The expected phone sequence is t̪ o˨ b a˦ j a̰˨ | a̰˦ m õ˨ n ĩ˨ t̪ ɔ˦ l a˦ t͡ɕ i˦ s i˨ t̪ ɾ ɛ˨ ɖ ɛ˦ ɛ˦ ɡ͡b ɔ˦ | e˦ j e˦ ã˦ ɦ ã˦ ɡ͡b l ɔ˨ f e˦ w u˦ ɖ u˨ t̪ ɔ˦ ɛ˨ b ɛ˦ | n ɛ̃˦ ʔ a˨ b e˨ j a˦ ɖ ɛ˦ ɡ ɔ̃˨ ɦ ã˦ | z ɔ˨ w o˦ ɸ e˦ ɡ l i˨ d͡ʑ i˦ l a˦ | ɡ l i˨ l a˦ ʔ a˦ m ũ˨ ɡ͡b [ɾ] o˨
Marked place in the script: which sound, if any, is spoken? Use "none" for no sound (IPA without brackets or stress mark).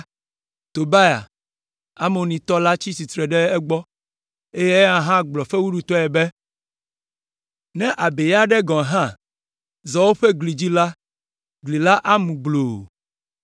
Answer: l